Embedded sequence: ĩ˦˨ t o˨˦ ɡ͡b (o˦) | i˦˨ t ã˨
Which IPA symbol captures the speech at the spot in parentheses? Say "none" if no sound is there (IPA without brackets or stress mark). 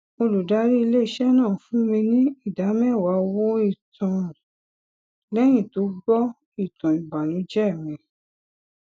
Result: ɔ˦